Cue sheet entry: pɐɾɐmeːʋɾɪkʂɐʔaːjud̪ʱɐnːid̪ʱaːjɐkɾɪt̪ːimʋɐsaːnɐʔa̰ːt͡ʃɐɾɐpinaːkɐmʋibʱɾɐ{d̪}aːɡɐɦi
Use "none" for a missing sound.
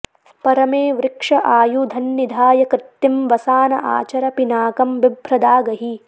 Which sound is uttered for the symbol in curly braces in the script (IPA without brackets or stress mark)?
d̪